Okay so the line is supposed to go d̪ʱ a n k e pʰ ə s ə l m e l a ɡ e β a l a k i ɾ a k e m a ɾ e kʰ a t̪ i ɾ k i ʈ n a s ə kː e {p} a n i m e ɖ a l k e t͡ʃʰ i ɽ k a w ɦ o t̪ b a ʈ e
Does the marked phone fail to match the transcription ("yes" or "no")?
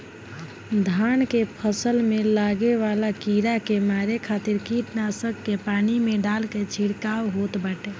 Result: no